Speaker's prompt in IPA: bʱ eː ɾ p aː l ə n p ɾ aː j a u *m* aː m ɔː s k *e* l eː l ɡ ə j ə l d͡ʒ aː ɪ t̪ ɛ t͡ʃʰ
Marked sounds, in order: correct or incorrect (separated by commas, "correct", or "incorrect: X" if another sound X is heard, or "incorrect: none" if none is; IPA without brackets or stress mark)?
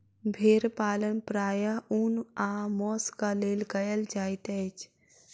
incorrect: n, incorrect: a